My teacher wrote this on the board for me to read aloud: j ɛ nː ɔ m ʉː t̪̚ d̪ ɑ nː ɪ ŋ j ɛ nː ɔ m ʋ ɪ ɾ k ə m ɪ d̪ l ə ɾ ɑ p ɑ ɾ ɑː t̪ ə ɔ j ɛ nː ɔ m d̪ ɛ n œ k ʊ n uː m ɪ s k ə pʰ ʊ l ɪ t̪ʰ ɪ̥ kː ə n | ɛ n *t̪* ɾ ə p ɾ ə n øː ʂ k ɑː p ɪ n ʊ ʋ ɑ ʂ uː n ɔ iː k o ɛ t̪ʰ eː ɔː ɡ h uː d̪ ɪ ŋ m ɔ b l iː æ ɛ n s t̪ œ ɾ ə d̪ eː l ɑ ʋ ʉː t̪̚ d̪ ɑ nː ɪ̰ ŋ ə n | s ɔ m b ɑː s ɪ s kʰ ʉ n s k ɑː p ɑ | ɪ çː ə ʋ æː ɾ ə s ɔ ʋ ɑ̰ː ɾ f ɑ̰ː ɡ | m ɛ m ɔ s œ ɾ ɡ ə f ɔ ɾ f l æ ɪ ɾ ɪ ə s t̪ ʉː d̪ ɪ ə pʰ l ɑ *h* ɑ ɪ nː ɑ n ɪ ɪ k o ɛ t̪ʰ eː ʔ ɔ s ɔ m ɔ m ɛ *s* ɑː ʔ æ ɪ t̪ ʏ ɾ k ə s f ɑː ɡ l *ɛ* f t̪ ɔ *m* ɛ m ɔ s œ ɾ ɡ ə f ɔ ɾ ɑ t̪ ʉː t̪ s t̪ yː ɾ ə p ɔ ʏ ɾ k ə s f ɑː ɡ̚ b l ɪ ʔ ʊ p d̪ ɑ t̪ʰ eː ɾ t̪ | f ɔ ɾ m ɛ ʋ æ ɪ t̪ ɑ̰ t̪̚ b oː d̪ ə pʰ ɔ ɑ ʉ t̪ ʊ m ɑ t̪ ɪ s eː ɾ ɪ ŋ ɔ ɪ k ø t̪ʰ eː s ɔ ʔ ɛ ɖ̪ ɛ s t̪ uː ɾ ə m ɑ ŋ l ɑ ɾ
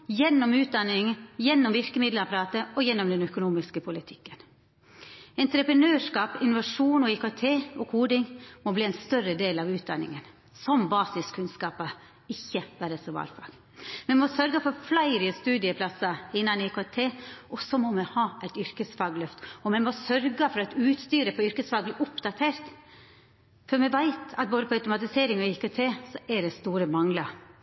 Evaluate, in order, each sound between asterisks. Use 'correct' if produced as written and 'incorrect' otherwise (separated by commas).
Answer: correct, incorrect, incorrect, incorrect, correct